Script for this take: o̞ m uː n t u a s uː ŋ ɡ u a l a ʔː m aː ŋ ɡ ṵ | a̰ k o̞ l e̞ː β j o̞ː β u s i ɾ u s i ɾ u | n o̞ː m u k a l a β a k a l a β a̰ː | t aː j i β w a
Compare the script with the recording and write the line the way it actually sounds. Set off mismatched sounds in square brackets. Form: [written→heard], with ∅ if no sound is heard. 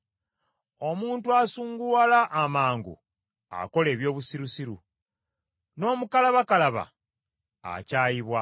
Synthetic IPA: o̞ m uː n t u a s uː ŋ ɡ u a l a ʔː m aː ŋ ɡ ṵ | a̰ k o̞ l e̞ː β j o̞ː β u s i ɾ u s i ɾ u | n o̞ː m u k a l a β a k a l a β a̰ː | [t→c] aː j i β w a